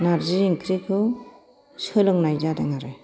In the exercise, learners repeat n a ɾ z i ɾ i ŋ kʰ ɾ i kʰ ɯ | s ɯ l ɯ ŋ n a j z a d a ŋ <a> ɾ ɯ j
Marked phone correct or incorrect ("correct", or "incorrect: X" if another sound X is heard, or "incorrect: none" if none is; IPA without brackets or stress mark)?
correct